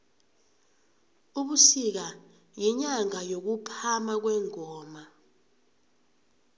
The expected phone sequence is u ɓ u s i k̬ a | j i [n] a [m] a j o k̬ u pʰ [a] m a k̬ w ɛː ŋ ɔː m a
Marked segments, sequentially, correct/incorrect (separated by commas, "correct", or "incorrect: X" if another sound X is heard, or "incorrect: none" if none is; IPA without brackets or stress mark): incorrect: ɲ, incorrect: ŋ, correct